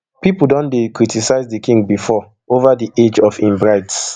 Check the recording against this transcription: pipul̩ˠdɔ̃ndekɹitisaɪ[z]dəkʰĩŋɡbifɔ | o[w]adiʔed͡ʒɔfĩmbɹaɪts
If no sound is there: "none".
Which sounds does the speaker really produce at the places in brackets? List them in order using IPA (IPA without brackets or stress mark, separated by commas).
z, v